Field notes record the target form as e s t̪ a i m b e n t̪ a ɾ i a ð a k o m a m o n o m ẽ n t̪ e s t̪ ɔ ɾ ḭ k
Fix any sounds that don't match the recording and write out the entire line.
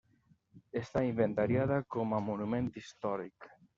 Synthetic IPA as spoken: e s t̪ a i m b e n t̪ a ɾ j a ð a k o m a m o n u m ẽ n t̪ i s t̪ ɔ ɾ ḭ k